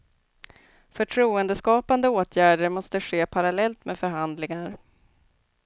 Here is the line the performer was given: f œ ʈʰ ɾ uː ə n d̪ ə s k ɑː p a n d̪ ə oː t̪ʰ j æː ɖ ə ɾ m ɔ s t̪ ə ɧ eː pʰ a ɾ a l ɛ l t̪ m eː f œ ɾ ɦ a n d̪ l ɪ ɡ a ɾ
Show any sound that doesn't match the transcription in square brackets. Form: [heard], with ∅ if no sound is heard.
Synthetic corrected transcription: f œ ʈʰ ɾ uː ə n d̪ ə s k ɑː p a n d̪ ə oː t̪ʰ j æː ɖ ə ɾ m ɔ s t̪ ə ɧ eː pʰ a ɾ a l ɛ l t̪ m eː f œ ɾ ɦ a n d̪ l ɪ [ŋ] a ɾ